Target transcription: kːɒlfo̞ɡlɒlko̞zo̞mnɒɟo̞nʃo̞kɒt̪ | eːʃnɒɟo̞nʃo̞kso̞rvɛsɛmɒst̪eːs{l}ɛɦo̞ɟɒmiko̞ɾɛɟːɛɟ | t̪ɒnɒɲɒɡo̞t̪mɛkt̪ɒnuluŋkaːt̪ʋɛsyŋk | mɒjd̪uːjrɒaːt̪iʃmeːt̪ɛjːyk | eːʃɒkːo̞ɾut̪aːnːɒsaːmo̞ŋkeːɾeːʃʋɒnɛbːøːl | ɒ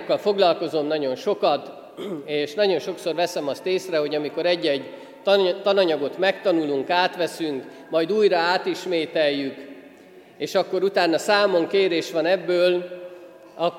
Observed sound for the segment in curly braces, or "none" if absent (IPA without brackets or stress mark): r